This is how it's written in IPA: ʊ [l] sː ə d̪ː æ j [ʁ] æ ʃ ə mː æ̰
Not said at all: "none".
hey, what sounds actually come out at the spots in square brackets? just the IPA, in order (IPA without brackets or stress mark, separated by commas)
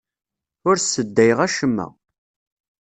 ɾ, ʁ